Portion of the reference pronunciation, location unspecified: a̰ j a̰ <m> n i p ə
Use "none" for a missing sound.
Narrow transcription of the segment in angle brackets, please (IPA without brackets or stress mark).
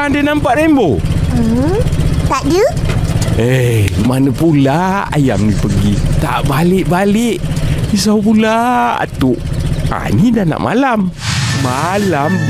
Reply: m